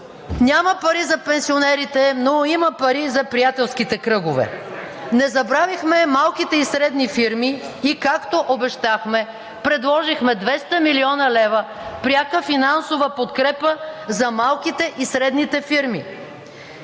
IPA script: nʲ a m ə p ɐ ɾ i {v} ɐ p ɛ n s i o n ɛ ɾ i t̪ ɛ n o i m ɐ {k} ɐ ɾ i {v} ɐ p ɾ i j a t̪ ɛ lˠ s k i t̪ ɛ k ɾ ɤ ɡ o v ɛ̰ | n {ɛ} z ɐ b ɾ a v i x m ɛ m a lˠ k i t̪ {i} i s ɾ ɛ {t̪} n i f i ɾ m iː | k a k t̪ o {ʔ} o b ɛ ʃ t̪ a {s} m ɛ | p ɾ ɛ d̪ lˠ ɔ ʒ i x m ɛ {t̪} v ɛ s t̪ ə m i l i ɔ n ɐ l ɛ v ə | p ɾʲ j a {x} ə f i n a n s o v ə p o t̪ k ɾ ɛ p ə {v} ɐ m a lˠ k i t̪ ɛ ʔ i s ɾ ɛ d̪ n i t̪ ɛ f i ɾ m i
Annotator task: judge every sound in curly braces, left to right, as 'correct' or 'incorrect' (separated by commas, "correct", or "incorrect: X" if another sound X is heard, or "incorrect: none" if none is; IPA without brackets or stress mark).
incorrect: z, incorrect: p, incorrect: z, correct, incorrect: ɛ, incorrect: d̪, correct, incorrect: x, incorrect: d̪, incorrect: k, incorrect: z